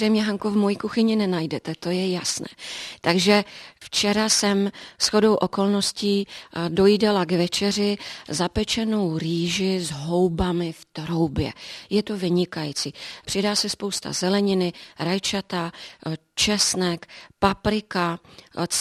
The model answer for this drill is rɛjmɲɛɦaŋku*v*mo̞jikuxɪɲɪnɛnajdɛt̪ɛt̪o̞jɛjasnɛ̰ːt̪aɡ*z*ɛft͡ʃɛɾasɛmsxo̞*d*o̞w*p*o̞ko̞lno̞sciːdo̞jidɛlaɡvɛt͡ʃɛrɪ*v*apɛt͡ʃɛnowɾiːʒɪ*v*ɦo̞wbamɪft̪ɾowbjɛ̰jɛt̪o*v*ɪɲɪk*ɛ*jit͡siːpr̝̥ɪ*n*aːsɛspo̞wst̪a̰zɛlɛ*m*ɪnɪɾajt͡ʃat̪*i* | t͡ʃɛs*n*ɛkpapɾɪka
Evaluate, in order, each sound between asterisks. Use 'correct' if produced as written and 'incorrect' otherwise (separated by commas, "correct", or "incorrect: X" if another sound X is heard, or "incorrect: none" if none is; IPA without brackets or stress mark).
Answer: correct, incorrect: ʒ, correct, incorrect: ʔ, incorrect: z, incorrect: z, correct, incorrect: a, incorrect: d, incorrect: ɲ, incorrect: a, correct